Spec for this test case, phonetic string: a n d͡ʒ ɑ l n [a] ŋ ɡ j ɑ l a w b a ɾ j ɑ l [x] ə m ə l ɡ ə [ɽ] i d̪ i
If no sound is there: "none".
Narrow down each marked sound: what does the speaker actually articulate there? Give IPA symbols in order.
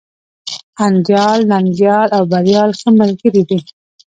a, x, ɾ

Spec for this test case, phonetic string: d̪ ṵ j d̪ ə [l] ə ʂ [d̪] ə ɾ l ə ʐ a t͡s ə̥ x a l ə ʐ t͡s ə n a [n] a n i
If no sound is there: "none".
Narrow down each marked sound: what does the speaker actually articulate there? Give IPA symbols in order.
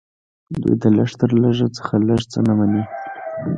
l, t̪, m

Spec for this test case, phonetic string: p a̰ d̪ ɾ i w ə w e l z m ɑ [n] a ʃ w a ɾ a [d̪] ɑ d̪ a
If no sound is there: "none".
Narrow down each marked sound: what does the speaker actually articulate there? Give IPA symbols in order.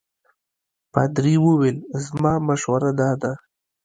m, d̪

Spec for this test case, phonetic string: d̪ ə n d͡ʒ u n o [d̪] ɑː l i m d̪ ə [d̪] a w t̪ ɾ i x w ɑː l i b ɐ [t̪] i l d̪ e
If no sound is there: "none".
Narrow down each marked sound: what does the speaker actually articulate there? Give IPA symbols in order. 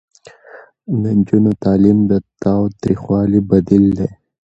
t̪, t̪, d̪

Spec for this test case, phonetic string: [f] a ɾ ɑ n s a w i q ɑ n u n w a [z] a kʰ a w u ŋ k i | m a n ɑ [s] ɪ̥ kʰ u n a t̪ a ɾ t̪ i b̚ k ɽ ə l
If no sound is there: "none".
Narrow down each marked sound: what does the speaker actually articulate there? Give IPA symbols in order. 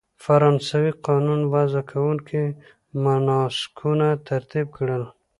f, z, s

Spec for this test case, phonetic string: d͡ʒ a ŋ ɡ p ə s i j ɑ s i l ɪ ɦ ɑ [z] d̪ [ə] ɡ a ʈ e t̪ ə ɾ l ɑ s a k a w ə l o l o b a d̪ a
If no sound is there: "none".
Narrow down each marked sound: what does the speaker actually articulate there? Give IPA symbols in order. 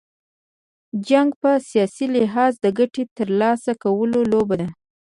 z, ə

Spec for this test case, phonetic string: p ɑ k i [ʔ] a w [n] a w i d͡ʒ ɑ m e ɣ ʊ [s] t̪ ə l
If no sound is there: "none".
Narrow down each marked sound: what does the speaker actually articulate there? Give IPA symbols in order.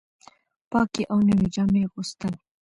ʔ, n, s

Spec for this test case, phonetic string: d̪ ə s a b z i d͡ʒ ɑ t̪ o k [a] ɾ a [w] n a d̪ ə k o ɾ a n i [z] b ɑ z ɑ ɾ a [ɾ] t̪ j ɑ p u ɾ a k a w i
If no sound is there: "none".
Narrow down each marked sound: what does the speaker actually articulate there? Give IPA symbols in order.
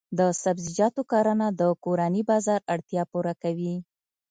ɑ, none, none, ɽ

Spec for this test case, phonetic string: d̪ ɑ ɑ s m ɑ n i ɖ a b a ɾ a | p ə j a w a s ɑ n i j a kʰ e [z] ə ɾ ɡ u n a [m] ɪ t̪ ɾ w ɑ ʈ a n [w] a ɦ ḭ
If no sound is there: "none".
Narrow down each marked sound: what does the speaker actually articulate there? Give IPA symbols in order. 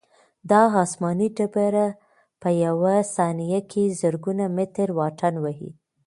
z, m, w

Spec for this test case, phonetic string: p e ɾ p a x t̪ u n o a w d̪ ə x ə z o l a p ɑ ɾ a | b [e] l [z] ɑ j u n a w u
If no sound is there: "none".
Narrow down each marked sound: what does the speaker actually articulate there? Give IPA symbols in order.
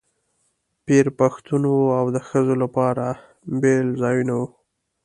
e, z

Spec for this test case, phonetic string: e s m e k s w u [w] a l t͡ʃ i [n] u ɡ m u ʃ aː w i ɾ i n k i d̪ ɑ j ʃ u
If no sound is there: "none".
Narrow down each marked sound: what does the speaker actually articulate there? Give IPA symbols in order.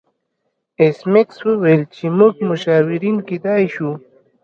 w, m

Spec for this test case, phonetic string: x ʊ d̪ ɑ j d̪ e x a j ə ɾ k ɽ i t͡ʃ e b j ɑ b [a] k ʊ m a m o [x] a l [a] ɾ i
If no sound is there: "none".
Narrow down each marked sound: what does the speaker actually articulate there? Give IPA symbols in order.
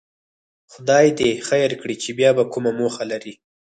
a, x, a

